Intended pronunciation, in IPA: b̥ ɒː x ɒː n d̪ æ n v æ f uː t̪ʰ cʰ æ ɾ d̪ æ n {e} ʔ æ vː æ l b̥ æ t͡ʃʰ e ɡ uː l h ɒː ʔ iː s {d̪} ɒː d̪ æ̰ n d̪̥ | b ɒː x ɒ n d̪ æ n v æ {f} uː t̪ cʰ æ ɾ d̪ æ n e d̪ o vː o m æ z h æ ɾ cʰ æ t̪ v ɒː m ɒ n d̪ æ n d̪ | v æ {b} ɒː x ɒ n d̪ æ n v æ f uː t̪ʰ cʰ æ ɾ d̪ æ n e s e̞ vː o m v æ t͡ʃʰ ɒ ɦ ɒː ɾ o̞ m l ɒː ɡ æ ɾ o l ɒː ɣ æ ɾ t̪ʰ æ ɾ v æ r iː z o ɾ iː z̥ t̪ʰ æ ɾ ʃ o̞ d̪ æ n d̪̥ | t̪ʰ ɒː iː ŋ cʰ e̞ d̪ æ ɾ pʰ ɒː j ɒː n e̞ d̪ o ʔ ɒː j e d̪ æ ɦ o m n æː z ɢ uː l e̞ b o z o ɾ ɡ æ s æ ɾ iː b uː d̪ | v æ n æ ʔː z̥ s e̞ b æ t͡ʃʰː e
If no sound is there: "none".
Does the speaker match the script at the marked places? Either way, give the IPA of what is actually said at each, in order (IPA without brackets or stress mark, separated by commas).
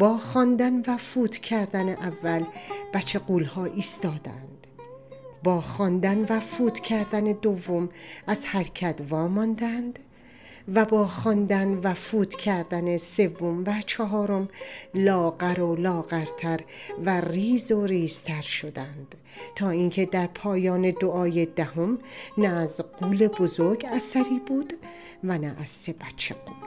e, t̪, f, b